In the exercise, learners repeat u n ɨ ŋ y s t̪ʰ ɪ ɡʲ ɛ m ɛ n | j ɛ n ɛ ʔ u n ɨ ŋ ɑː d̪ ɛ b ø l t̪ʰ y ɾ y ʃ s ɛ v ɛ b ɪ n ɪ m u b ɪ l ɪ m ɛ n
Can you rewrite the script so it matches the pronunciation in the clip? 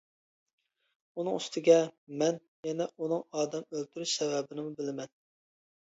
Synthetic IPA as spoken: u n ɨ ŋ y s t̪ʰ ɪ ɡʲ ɛ m ɛ n | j ɛ n ɛ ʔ u n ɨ ŋ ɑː d̪ ɛ m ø l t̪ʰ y ɾ y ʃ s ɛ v ɛ b ɪ n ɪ m u b ɪ l ɪ m ɛ n